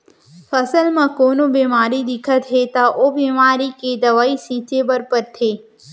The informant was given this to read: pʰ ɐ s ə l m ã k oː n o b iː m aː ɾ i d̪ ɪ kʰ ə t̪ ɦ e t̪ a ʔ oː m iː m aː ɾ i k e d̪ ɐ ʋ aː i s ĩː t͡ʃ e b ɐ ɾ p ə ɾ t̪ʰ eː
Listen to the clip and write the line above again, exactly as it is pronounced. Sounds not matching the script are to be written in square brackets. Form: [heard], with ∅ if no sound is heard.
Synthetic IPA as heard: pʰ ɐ s ə l m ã k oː n o b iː m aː ɾ i d̪ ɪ kʰ ə t̪ ɦ e t̪ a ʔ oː [b] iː m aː ɾ i k e d̪ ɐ ʋ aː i s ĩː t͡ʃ e b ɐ ɾ p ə ɾ t̪ʰ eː

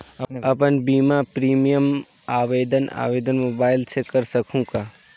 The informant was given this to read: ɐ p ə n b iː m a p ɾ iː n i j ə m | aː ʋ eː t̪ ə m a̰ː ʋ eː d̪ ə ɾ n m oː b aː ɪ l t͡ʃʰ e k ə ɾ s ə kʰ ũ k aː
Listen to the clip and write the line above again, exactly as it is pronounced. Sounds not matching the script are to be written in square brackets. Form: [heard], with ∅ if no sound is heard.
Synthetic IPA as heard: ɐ p ə n b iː m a p ɾ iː [m] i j ə m | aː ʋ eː [d̪] ə [n] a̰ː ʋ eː d̪ ə [∅] n m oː b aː ɪ l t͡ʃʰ e k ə ɾ s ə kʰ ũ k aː

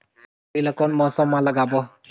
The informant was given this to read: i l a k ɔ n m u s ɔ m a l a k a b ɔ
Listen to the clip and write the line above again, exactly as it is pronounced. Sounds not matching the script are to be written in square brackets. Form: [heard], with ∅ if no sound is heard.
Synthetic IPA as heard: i l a k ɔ n m [ɔ] s ɔ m a l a [ɡ] a b ɔ

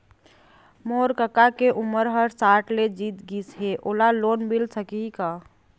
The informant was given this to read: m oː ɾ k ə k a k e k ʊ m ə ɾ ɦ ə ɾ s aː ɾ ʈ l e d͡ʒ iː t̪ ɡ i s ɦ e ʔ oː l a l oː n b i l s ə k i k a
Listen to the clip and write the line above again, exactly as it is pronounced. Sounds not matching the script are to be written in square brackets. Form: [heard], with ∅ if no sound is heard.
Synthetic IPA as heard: m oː ɾ k ə k a k e [ʔ] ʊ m ə ɾ ɦ ə ɾ s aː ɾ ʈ l e d͡ʒ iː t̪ ɡ i s ɦ e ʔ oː l a l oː n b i l s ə k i k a

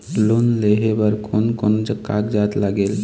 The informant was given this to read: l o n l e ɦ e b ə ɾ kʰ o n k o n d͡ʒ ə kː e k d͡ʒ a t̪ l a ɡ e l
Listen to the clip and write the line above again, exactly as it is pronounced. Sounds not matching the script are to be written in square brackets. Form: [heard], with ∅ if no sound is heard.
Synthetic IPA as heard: l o n l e ɦ e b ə ɾ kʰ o n k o n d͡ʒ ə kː [a] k d͡ʒ a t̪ l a ɡ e l

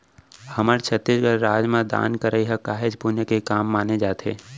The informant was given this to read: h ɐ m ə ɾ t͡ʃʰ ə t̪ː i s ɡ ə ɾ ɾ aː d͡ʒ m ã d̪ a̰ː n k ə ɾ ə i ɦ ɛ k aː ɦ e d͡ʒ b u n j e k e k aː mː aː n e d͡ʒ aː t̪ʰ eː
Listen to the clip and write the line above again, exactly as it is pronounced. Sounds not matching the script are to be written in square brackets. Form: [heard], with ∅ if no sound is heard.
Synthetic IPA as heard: h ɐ m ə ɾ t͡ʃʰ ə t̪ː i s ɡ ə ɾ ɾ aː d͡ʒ m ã d̪ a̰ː n k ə ɾ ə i ɦ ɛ k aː ɦ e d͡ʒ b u n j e k e k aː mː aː n e d͡ʒ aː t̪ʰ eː

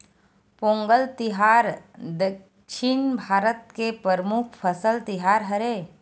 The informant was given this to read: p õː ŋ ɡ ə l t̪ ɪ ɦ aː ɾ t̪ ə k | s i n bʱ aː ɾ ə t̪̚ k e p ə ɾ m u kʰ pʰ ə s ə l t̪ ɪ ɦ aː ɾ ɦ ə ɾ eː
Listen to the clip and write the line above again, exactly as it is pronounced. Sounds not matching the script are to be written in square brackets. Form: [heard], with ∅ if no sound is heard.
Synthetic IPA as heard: p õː ŋ ɡ ə l t̪ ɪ ɦ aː ɾ [d̪] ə k | [ʃ] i n bʱ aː ɾ ə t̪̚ k e p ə ɾ m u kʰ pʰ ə s ə l t̪ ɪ ɦ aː ɾ ɦ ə ɾ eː

